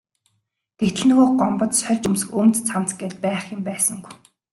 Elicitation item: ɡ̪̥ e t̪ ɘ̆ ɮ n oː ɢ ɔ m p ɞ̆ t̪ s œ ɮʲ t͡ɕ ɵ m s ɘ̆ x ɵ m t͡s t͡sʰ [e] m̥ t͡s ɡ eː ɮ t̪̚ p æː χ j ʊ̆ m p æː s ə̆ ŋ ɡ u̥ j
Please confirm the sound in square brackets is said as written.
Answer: no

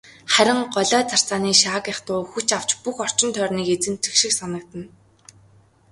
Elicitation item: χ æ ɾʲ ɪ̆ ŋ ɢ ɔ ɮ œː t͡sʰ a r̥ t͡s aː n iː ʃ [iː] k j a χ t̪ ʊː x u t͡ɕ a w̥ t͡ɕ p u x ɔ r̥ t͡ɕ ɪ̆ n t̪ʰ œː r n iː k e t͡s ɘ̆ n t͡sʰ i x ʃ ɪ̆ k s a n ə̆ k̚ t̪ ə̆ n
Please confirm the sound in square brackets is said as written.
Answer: no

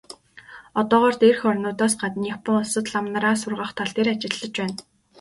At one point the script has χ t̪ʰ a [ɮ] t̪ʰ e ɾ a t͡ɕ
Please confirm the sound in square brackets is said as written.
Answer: yes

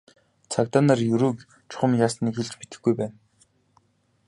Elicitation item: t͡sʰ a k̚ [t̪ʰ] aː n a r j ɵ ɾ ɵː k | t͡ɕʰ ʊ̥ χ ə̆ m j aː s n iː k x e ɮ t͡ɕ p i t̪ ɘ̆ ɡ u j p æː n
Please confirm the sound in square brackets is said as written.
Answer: no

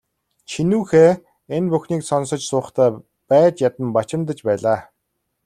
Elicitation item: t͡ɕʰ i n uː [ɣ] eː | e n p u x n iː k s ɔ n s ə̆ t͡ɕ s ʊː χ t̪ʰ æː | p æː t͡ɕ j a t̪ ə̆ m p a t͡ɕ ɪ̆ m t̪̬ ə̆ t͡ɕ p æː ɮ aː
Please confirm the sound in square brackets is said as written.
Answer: no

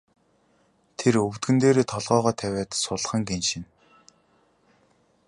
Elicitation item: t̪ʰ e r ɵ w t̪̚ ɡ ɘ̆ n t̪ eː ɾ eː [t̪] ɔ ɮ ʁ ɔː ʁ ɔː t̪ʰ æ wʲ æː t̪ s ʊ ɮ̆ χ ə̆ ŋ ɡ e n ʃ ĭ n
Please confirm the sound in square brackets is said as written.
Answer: no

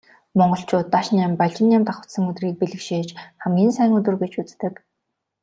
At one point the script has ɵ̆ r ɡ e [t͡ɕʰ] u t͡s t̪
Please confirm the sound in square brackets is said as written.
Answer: no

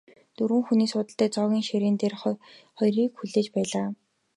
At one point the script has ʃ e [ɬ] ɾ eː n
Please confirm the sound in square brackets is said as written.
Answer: no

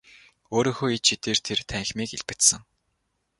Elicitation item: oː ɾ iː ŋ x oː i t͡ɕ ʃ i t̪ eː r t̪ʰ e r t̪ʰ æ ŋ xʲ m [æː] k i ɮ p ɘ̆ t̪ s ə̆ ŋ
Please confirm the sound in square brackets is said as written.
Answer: no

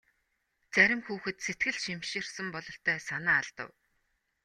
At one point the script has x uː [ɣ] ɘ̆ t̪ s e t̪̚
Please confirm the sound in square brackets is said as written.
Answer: no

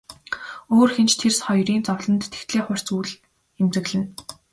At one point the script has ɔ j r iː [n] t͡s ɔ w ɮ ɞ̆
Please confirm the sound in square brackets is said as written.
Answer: yes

